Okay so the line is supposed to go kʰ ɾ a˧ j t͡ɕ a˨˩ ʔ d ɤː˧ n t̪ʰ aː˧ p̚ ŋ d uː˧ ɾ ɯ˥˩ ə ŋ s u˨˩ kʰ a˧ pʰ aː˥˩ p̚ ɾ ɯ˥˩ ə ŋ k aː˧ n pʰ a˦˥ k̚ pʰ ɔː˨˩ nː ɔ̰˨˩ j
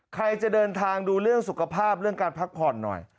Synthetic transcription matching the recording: kʰ ɾ a˧ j t͡ɕ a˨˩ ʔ d ɤː˧ n t̪ʰ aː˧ ŋ d uː˧ ɾ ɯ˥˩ ə ŋ s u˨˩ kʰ a˧ pʰ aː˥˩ p̚ ɾ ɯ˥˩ ə ŋ k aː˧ n pʰ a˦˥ k̚ pʰ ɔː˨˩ nː ɔ̰˨˩ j